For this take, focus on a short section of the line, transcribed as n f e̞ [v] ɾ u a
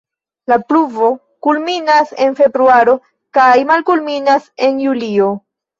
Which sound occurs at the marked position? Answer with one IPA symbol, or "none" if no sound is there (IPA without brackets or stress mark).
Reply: b